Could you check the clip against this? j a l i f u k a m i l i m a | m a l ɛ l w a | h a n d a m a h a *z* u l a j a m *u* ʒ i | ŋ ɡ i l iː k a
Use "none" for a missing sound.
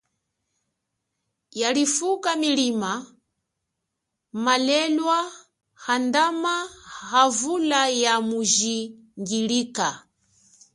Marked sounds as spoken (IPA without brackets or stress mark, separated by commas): v, u